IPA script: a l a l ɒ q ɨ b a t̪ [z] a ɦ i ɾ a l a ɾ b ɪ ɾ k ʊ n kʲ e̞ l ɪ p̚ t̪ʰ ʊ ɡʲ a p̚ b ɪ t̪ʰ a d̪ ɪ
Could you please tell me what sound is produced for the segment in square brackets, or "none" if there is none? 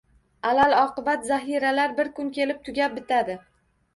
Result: z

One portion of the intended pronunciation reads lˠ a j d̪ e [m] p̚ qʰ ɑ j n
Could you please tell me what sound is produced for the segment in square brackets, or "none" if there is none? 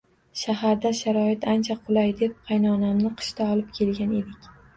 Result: none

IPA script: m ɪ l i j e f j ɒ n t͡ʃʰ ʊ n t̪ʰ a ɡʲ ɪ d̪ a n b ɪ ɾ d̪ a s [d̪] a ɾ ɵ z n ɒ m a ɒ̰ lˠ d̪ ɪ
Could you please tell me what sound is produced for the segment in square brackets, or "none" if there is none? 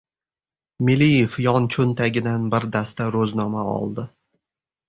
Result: t̪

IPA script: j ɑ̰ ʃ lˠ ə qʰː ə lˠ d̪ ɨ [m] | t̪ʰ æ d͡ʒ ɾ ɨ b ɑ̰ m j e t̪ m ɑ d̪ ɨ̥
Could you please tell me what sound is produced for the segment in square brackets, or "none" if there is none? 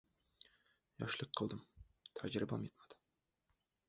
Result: m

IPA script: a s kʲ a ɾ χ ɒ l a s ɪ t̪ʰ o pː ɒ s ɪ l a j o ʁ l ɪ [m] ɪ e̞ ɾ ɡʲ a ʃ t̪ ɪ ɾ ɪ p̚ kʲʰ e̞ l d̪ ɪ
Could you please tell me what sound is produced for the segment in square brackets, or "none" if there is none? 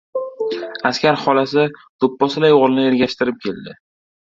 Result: n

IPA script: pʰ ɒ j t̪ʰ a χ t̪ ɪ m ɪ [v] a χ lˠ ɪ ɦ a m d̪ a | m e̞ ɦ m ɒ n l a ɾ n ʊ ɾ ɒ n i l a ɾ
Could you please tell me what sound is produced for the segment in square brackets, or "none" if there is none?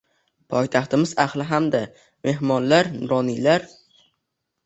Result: z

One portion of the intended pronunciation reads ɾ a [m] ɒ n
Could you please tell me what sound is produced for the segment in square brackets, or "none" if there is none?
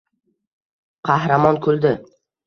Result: m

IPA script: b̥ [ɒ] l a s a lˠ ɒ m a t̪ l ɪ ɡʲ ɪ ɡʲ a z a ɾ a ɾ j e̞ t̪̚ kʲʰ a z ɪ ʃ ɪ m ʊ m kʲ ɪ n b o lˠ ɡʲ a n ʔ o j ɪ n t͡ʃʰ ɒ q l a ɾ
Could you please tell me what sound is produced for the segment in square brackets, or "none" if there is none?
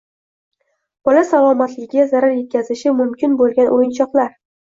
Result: ɒ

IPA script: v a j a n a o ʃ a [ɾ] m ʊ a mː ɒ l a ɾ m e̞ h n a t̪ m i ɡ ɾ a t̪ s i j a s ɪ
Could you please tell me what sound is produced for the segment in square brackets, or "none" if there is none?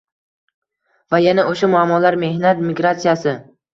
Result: none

